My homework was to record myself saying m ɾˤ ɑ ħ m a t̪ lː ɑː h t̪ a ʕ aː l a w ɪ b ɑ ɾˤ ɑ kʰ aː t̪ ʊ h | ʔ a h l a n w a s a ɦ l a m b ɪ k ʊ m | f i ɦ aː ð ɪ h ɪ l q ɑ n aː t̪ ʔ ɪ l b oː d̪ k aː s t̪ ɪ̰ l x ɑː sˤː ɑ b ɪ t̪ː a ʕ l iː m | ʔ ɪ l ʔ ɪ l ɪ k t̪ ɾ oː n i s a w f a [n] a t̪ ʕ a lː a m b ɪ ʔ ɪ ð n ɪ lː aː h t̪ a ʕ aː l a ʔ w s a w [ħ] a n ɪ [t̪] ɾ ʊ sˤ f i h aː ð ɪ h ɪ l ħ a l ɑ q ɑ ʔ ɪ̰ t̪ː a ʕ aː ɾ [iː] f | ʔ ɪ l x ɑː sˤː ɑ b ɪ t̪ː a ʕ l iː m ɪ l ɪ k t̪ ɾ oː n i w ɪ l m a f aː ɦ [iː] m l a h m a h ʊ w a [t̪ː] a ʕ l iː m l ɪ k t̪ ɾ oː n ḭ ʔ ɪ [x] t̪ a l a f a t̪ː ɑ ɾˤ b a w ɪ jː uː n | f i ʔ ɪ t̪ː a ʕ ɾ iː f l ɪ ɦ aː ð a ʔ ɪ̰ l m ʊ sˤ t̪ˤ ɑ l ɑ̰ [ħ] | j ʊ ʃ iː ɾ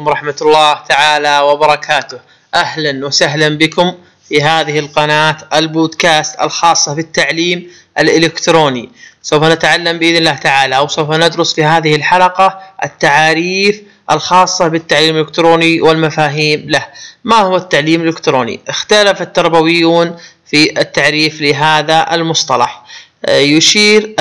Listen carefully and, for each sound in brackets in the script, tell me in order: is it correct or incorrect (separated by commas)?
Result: correct, incorrect, incorrect, correct, correct, correct, correct, correct